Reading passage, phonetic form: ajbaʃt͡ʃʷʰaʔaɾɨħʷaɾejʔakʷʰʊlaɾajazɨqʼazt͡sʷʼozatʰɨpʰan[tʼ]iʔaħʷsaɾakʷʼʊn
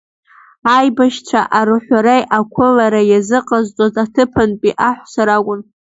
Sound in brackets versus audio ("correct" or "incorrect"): incorrect